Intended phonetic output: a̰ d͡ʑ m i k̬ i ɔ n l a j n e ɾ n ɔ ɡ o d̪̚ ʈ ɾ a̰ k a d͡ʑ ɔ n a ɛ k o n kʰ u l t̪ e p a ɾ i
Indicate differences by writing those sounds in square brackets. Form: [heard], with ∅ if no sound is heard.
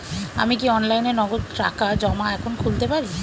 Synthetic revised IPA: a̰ [∅] m i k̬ i ɔ n l a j n e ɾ n ɔ ɡ o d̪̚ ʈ ɾ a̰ k a d͡ʑ ɔ [m] a ɛ [kʰ] o n kʰ u l t̪ e p a ɾ i

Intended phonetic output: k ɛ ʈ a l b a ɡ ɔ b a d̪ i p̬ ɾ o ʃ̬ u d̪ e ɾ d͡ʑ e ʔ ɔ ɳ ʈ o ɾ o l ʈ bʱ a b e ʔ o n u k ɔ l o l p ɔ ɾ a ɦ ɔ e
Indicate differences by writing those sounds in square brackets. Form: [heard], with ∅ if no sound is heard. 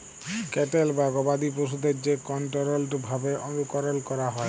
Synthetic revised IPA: k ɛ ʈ [e] l b a ɡ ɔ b a d̪ i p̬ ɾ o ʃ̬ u d̪ e ɾ d͡ʑ e [k] ɔ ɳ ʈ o ɾ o l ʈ bʱ a b e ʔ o n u k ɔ [ɾ] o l [k] ɔ ɾ a ɦ ɔ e

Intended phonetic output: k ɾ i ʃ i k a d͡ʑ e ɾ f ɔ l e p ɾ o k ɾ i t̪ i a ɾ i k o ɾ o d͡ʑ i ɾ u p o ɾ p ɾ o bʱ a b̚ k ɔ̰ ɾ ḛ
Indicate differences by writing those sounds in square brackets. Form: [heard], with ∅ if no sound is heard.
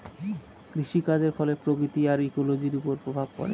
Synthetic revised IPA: k ɾ i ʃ i k a d͡ʑ e ɾ f ɔ l e p ɾ o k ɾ i t̪ i a ɾ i k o [l] o d͡ʑ i ɾ u p o ɾ p ɾ o bʱ a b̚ k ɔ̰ ɾ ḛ

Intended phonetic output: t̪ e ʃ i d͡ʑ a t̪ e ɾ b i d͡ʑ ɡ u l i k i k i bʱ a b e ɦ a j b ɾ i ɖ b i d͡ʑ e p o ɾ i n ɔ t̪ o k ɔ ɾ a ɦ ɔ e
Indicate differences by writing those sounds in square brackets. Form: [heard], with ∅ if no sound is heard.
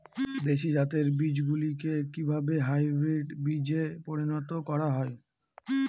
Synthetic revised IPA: [d̪] e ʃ i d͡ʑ a t̪ e ɾ b i d͡ʑ ɡ u l i k [e] k i bʱ a b e ɦ a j b ɾ i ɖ b i d͡ʑ e p o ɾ i n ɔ t̪ o k ɔ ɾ a ɦ ɔ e

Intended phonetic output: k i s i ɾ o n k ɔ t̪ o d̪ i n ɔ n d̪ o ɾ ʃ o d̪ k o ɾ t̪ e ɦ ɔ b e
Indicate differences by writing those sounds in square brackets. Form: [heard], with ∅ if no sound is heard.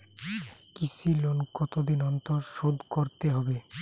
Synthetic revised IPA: k i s i [l] o n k ɔ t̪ o d̪ i n ɔ n [t̪] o ɾ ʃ o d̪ k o ɾ t̪ e ɦ ɔ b e

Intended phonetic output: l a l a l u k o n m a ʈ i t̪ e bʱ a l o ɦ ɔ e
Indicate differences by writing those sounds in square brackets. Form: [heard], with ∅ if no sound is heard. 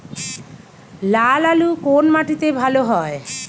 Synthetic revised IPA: l a l a l u k o n m a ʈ i t̪ e bʱ a l o ɦ ɔ e

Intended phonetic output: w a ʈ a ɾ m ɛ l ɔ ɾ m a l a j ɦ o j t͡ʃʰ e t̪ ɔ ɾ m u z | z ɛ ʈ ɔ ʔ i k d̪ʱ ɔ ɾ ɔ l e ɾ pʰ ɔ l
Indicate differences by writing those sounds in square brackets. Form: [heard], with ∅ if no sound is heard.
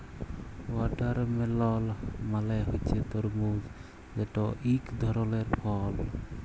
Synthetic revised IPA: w a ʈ a ɾ m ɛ l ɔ [l] m a l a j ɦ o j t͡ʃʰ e t̪ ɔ ɾ m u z | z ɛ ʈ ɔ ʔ i k d̪ʱ ɔ ɾ ɔ l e ɾ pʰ ɔ l

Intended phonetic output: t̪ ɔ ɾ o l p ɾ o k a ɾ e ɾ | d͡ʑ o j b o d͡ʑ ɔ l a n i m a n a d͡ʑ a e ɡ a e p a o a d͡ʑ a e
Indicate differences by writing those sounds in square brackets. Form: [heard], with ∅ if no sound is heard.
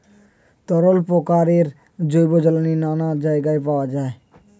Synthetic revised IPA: t̪ ɔ ɾ o l p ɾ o k a ɾ e ɾ | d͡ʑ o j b o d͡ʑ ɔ l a n i [n] a n a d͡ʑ a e ɡ a e p a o a d͡ʑ a e

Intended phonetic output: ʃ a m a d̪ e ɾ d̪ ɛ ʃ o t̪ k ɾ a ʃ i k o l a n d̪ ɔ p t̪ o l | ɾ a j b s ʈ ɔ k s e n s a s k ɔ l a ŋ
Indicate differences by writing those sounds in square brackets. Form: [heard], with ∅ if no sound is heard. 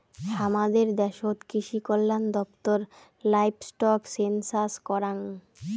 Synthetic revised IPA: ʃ a m a d̪ e ɾ d̪ ɛ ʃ o t̪ k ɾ [i] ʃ i k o [lː] a n d̪ ɔ p t̪ o [ɾ] | [l] a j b s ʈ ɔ k s e n s a s k ɔ [ɾ] a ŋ

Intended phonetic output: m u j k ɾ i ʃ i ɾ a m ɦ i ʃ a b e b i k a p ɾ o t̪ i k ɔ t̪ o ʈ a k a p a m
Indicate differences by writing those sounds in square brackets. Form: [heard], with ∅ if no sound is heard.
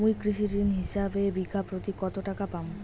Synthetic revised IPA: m u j k ɾ i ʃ i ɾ [i] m ɦ i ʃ a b e b i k a p ɾ o t̪ i k ɔ t̪ o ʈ a k a p a m

